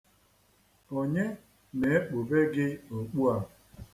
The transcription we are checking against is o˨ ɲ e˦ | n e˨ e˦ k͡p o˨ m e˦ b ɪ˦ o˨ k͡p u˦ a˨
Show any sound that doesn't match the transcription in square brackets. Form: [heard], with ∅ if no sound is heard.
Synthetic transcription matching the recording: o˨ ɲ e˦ | n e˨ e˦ k͡p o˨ [b] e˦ [ɡ] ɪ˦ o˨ k͡p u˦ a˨